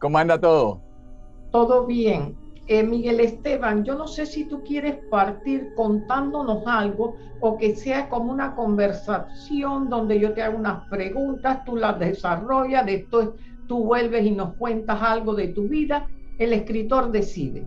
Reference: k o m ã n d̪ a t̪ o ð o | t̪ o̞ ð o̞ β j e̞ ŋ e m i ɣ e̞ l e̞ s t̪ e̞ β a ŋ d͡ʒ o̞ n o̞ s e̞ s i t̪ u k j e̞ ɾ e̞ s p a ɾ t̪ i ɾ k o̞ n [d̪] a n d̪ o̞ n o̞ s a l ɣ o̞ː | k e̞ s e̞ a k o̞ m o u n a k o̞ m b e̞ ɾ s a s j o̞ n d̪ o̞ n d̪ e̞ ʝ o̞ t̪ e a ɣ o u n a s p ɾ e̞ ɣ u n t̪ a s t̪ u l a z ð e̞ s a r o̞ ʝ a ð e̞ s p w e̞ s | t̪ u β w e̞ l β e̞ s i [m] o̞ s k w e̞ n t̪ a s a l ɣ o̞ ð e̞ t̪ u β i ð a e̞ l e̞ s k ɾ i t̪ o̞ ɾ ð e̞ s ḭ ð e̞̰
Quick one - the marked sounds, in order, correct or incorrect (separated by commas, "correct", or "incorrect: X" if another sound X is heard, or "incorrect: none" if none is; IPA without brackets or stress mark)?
incorrect: t̪, incorrect: n